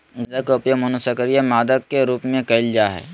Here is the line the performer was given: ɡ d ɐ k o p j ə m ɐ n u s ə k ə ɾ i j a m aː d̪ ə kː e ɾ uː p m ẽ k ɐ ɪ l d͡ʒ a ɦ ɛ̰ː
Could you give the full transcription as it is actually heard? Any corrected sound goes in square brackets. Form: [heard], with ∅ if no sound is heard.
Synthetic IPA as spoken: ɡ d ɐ k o p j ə m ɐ n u s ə k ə ɾ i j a m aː d̪ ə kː e ɾ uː p m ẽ k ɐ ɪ l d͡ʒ a ɦ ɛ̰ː